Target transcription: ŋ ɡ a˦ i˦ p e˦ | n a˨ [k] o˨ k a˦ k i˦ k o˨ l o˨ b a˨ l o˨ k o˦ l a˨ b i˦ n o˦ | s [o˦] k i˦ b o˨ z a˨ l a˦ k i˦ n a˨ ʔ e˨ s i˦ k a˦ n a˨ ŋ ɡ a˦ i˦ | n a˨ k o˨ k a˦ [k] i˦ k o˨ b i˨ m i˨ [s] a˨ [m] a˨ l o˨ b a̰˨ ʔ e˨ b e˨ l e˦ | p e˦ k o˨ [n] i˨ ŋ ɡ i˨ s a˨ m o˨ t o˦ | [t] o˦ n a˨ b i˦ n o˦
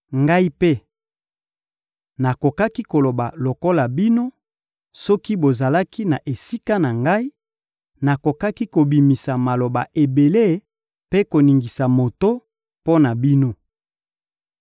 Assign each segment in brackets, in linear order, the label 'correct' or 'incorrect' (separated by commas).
correct, incorrect, correct, correct, correct, correct, incorrect